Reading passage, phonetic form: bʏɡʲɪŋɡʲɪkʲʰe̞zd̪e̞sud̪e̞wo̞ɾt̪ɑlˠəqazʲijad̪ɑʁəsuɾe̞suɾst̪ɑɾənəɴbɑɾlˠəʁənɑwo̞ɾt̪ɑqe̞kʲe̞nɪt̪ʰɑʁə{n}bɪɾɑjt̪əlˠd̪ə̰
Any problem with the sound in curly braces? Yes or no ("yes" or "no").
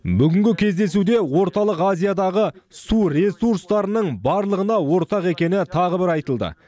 yes